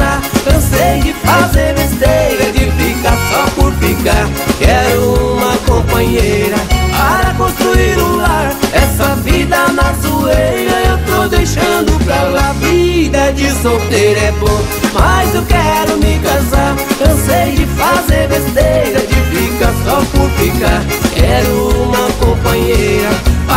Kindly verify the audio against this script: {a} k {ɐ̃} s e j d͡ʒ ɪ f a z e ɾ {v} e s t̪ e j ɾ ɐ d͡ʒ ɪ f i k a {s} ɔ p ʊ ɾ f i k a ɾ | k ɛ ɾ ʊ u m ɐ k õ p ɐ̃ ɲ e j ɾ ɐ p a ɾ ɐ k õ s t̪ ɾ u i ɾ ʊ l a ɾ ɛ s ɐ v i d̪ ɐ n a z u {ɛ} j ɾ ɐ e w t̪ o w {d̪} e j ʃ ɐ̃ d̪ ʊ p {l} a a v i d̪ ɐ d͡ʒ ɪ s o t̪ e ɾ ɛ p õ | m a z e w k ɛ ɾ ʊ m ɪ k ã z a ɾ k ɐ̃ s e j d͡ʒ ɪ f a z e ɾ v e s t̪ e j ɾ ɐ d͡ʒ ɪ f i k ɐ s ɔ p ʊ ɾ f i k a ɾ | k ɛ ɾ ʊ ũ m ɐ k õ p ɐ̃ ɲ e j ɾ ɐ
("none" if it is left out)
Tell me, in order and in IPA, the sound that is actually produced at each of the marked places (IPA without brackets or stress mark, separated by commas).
a, ɐ̃, v, s, e, d̪, ɾ